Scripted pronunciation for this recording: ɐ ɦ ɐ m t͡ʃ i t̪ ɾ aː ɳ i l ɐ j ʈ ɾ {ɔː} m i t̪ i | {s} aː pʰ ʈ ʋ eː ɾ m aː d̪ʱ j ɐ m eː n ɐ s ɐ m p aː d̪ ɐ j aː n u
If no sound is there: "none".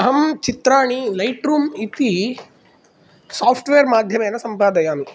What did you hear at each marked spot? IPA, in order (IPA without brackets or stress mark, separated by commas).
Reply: uː, s